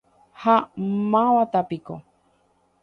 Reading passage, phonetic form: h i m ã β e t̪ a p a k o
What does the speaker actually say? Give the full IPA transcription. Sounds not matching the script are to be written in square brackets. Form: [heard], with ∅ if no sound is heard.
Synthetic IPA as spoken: h [a] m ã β [a] t̪ a p [i] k o